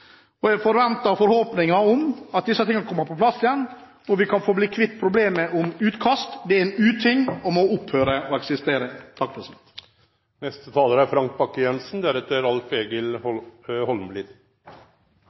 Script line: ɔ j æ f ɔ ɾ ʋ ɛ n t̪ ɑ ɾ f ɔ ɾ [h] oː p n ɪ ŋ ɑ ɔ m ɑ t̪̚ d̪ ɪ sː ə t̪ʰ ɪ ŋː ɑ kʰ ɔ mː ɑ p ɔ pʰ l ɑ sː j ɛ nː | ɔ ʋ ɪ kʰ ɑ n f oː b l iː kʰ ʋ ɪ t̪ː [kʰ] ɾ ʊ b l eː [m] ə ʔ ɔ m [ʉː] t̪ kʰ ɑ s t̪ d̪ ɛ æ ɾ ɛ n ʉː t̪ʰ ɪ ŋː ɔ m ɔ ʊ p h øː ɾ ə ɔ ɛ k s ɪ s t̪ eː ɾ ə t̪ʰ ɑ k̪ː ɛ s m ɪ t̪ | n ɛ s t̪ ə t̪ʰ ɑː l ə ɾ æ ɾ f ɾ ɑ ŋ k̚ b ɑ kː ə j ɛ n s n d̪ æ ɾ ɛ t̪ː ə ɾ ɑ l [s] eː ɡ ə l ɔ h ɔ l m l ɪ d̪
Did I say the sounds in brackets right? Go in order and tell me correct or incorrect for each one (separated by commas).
correct, incorrect, correct, correct, incorrect